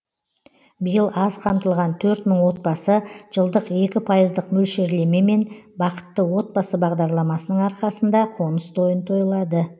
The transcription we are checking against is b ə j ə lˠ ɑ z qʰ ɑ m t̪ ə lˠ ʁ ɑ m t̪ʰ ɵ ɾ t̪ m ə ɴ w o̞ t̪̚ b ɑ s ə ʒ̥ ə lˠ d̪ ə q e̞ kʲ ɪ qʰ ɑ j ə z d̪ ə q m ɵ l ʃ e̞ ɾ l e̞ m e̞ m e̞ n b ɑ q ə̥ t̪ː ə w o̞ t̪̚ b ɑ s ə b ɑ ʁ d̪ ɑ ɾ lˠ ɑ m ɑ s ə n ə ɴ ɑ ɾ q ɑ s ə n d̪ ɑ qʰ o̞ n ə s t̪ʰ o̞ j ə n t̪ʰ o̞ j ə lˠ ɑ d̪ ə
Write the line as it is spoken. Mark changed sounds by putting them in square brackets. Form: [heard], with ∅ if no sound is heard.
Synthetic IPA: b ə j ə lˠ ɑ z qʰ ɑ m t̪ ə lˠ ʁ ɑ [n] t̪ʰ ɵ ɾ t̪ m ə ɴ w o̞ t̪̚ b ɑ s ə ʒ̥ ə lˠ d̪ ə q e̞ kʲ ɪ [pʰ] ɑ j ə z d̪ ə q m ɵ l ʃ e̞ ɾ l e̞ m e̞ m e̞ n b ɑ q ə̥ t̪ː ə w o̞ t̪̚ b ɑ s ə b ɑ ʁ d̪ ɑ ɾ lˠ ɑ m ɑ s ə n ə ɴ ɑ ɾ q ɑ s ə n d̪ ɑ qʰ o̞ n ə s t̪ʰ o̞ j ə n t̪ʰ o̞ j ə lˠ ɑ d̪ ə